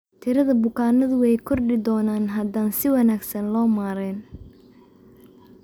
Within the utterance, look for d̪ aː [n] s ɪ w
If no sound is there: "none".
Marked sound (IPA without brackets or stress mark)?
n